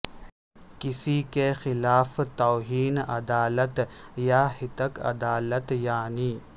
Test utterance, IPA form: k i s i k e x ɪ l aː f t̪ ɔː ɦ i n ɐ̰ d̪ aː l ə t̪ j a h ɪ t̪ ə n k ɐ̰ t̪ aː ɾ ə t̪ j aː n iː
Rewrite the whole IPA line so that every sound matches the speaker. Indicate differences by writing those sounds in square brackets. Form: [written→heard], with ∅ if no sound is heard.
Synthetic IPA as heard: k [i→ɪ] s i k e x ɪ l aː f t̪ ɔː ɦ [i→iː] n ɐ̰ d̪ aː l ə t̪ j a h ɪ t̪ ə [n→∅] k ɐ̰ [t̪→d̪] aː [ɾ→l] ə t̪ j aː n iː